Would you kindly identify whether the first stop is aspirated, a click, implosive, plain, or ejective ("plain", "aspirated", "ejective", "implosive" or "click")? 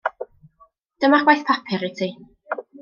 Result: plain